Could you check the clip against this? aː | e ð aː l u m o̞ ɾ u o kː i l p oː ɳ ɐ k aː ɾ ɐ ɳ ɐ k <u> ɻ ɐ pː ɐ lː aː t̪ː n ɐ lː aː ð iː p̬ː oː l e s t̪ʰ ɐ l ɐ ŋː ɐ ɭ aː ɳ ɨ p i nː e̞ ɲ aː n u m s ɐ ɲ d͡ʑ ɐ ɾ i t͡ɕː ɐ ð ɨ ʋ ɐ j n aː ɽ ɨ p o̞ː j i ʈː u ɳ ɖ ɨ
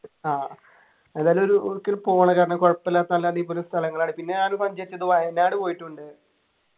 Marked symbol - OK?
no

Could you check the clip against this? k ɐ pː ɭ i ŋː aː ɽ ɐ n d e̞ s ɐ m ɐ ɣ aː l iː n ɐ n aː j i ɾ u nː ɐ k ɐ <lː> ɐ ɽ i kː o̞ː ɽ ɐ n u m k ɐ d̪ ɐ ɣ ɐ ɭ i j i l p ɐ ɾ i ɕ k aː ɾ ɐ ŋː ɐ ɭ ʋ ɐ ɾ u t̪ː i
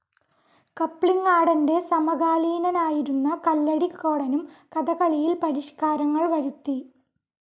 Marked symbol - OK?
yes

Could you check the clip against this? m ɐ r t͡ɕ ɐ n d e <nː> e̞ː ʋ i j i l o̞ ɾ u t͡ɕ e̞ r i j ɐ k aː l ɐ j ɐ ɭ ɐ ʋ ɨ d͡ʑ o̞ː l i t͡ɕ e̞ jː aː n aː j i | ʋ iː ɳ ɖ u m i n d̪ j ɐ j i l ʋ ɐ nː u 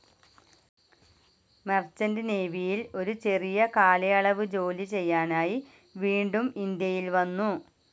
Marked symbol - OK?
no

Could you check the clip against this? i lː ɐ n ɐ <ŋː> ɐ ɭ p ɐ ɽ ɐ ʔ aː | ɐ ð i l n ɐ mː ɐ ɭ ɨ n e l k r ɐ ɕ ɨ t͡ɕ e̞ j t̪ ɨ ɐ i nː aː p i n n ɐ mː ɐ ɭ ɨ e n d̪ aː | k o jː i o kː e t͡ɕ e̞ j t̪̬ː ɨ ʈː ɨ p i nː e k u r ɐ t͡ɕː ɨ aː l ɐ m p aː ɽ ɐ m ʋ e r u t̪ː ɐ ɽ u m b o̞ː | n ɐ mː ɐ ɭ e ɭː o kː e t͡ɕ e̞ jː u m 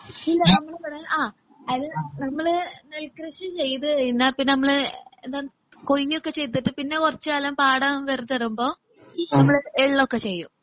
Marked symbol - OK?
no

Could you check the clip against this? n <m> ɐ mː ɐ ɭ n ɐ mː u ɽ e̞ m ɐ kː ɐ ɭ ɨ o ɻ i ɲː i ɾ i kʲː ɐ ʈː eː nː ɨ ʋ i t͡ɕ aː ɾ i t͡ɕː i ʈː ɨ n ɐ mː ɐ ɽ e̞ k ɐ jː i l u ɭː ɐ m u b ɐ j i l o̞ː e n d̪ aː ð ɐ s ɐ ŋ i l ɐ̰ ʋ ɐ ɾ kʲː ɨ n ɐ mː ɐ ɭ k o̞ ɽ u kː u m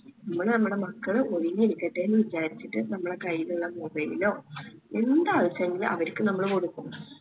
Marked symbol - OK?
no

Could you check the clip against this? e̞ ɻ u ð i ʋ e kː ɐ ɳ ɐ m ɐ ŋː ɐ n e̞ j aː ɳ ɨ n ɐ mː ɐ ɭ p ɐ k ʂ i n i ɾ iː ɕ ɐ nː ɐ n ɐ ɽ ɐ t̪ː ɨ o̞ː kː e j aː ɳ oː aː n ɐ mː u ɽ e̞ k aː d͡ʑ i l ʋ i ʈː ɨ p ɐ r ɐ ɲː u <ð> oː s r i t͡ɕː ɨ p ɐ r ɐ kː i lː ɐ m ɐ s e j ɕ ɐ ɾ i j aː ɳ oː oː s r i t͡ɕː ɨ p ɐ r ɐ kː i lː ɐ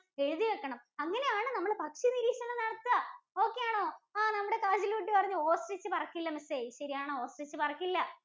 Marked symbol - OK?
no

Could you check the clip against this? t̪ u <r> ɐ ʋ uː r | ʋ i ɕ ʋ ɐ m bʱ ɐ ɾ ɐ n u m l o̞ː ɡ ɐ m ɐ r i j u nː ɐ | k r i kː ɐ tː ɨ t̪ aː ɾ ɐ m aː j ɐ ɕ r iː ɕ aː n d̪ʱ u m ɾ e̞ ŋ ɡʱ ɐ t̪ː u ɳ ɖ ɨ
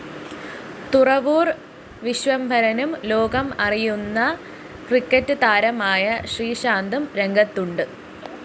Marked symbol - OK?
yes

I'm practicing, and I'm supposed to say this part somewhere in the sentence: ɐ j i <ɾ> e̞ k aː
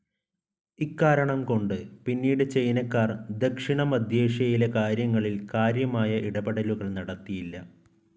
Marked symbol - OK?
no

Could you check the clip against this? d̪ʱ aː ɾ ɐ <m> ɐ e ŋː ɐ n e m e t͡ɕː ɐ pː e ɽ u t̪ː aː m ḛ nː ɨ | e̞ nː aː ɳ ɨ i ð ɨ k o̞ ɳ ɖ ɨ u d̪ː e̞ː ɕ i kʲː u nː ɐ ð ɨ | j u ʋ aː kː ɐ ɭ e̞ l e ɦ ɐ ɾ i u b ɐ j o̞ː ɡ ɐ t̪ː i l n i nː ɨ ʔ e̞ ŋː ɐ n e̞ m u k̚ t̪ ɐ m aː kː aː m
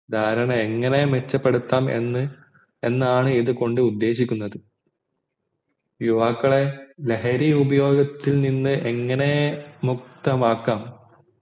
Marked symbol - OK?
no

